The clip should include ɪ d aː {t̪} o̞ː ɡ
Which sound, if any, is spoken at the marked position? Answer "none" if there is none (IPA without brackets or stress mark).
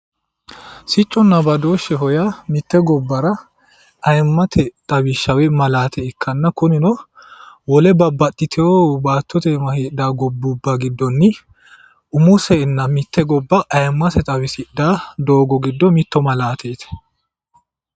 d̪